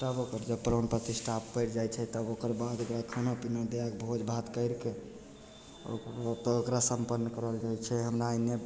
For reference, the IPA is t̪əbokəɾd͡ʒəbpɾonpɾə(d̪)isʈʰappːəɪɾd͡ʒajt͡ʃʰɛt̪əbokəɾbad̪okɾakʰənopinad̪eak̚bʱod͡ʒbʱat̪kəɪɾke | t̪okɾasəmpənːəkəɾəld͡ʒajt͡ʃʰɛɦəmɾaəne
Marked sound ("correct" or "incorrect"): incorrect